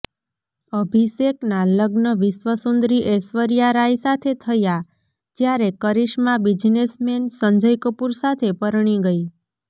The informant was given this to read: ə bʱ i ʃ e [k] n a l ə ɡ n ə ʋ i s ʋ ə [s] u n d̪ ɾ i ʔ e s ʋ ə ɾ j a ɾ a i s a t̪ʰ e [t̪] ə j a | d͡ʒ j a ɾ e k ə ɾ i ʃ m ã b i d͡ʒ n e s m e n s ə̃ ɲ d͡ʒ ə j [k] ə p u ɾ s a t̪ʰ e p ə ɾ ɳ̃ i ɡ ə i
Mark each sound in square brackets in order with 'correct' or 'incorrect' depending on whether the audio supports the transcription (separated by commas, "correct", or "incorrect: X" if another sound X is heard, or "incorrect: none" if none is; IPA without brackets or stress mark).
correct, correct, incorrect: t̪ʰ, correct